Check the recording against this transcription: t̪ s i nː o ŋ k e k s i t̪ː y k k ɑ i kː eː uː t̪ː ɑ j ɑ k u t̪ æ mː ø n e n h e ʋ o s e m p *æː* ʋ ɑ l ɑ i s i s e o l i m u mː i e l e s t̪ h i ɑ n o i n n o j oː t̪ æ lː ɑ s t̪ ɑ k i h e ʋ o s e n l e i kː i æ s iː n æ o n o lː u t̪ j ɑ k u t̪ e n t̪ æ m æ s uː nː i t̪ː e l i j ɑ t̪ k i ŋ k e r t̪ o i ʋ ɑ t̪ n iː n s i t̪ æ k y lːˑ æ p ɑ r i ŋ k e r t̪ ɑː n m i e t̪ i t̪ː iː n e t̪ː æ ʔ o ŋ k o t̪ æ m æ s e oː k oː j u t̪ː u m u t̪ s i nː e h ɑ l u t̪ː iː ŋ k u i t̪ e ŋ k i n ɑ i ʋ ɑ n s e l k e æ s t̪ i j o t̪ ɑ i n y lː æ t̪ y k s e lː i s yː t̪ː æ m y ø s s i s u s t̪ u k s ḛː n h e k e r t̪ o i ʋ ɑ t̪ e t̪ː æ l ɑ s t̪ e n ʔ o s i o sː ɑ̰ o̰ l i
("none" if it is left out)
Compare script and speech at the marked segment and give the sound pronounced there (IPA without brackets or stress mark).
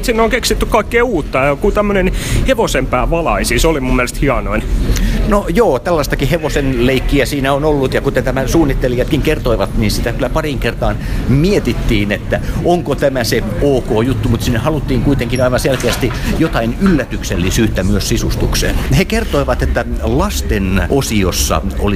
æː